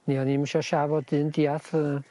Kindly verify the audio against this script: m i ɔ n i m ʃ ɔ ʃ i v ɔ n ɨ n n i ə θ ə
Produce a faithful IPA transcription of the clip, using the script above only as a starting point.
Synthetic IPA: n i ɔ n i m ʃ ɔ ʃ a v ɔ d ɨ n d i a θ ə